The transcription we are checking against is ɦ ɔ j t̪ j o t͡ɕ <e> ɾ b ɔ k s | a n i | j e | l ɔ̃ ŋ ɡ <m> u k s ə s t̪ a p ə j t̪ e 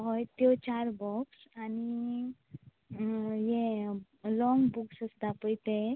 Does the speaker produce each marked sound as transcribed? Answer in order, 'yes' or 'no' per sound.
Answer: no, no

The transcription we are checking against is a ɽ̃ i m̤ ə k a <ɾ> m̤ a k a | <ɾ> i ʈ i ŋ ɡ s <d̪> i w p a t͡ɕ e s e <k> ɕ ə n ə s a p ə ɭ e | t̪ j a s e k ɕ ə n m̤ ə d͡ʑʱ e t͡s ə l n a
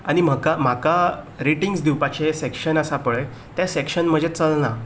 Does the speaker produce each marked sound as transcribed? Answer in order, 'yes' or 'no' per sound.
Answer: no, yes, yes, yes

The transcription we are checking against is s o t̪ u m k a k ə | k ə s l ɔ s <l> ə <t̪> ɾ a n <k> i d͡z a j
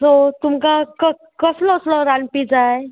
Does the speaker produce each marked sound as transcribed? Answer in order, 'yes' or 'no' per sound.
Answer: yes, no, no

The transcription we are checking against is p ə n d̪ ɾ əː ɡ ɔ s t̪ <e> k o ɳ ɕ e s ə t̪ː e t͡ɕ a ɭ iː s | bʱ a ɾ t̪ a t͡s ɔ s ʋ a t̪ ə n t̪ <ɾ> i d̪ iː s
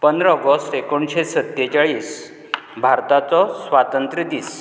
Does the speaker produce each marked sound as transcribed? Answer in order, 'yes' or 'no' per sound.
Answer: yes, yes

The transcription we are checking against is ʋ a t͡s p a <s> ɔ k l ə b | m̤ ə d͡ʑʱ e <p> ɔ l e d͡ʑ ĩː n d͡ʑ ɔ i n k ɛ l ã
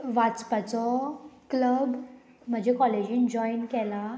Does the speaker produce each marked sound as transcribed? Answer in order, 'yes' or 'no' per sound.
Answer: no, no

